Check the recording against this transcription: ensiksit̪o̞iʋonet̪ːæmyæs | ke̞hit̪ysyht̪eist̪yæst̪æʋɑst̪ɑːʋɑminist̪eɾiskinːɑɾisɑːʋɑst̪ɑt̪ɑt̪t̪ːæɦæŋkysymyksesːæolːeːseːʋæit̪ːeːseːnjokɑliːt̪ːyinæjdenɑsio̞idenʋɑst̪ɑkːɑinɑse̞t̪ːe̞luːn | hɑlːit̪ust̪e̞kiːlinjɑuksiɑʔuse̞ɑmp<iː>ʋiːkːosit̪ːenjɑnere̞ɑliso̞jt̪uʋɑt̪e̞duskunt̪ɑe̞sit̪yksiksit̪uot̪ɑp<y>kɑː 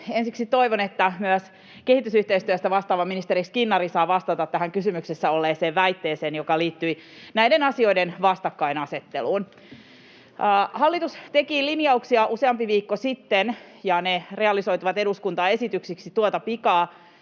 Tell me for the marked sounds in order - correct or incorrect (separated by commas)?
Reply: incorrect, incorrect